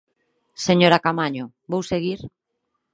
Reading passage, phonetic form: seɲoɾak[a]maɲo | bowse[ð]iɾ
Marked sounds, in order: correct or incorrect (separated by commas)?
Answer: correct, incorrect